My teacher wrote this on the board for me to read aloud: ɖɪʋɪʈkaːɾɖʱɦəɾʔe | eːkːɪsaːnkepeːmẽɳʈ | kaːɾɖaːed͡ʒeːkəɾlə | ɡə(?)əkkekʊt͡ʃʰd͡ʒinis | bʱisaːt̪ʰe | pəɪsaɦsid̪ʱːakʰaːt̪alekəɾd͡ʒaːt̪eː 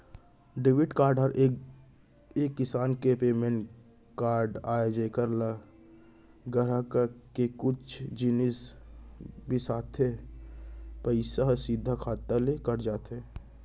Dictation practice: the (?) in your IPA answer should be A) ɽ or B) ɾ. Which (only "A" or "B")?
B